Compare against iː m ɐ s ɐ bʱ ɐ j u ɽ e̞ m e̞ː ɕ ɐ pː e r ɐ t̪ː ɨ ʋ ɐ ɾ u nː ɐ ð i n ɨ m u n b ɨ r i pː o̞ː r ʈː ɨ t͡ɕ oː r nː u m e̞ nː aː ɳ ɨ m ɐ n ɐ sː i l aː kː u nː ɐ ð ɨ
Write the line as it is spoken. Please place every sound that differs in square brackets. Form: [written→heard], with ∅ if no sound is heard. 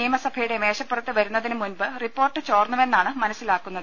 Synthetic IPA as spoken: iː m ɐ s ɐ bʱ ɐ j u ɽ e̞ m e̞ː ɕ ɐ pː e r ɐ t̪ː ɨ ʋ ɐ ɾ u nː ɐ ð i n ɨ m u n b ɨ r i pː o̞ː r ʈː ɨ t͡ɕ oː r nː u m e̞ nː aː ɳ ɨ m ɐ n ɐ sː i l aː kː u nː ɐ ð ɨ

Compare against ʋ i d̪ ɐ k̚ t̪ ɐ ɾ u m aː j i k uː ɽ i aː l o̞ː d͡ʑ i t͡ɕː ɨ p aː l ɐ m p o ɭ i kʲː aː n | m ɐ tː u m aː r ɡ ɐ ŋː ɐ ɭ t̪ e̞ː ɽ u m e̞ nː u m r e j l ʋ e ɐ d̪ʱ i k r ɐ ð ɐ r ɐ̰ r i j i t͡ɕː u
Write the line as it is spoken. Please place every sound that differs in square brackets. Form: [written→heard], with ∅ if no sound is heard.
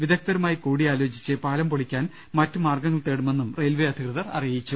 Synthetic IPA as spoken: ʋ i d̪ ɐ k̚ t̪ ɐ ɾ u m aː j i k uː ɽ i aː l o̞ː d͡ʑ i t͡ɕː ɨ p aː l ɐ m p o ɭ i kʲː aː n | m ɐ tː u m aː r ɡ ɐ ŋː ɐ ɭ t̪ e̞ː ɽ u m e̞ nː u m r e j l ʋ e ɐ d̪ʱ i k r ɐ ð ɐ r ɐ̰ r i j i t͡ɕː u

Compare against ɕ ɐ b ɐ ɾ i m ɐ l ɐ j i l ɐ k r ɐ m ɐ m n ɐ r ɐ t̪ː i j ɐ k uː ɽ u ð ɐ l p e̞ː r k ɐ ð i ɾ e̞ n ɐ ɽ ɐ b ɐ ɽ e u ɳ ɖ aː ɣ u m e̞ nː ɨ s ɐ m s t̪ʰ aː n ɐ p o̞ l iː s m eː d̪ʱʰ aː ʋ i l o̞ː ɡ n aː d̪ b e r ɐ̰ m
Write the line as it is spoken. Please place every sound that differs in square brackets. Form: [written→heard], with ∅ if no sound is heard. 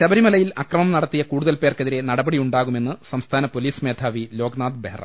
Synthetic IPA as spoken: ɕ ɐ b ɐ ɾ i m ɐ l ɐ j i l ɐ k r ɐ m ɐ m n ɐ [r→ɽ] ɐ t̪ː i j ɐ k uː ɽ u ð ɐ l p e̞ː r k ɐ ð i ɾ e̞ n ɐ ɽ ɐ b ɐ ɽ [e→i] u ɳ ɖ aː ɣ u m e̞ nː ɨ s ɐ m s t̪ʰ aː n ɐ p o̞ l iː s m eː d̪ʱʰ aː ʋ i l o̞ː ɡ n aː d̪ b e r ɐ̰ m

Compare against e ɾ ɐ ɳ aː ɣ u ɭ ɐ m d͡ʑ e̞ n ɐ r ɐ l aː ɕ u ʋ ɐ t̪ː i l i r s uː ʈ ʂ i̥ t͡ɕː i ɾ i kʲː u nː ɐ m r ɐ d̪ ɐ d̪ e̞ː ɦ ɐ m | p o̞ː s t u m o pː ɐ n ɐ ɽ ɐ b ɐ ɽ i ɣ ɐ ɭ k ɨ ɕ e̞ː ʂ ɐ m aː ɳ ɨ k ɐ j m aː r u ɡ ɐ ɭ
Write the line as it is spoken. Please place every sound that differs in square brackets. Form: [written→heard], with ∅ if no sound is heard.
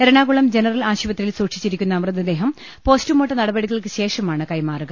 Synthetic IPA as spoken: e ɾ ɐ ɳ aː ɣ u ɭ ɐ m d͡ʑ e̞ n ɐ r ɐ l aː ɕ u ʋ ɐ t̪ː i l i [r→l] s uː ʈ ʂ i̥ t͡ɕː i ɾ i kʲː u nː ɐ m r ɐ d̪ ɐ d̪ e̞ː ɦ ɐ m | p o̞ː s t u m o [pː→ʈː] ɐ n ɐ ɽ ɐ b ɐ ɽ i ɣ ɐ ɭ k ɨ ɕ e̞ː ʂ ɐ m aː ɳ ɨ k ɐ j m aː r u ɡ ɐ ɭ

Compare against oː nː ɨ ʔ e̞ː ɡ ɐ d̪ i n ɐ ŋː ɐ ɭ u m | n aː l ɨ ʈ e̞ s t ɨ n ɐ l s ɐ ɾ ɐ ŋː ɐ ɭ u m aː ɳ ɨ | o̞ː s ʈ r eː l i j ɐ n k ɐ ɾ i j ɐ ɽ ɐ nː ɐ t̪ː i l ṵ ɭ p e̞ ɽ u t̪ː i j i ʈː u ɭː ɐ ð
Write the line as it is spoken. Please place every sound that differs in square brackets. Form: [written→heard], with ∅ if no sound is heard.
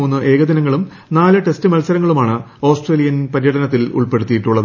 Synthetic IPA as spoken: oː nː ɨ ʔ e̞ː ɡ ɐ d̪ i n ɐ ŋː ɐ ɭ u m | n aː l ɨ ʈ e̞ s t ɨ [n→m] ɐ l s ɐ ɾ ɐ ŋː ɐ ɭ u m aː ɳ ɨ | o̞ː s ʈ r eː l i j ɐ n [k→p] ɐ ɾ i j ɐ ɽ ɐ [nː→n] ɐ t̪ː i l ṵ ɭ p e̞ ɽ u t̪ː i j i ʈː u ɭː ɐ ð

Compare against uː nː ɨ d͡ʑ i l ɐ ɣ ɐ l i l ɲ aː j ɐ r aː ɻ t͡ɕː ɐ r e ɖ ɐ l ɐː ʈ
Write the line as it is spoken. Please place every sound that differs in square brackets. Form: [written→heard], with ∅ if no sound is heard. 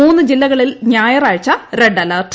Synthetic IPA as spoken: uː nː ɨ d͡ʑ i [l→lː] ɐ ɣ ɐ [l→ɭ] i l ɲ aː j ɐ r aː ɻ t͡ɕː ɐ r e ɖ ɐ l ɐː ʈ

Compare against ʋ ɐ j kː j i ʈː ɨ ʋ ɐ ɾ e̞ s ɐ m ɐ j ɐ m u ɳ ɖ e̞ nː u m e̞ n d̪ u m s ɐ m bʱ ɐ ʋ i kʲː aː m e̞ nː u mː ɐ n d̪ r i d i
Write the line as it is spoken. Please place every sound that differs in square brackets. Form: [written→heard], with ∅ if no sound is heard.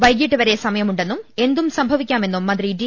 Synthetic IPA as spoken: ʋ ɐ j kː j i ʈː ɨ ʋ ɐ ɾ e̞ s ɐ m ɐ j ɐ m u ɳ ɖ e̞ nː u m e̞ n d̪ u m s ɐ m bʱ ɐ ʋ i kʲː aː m e̞ nː u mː ɐ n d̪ r i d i

